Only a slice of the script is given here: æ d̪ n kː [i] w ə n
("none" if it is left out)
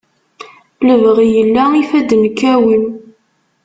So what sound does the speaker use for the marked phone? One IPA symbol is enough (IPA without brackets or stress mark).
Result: æ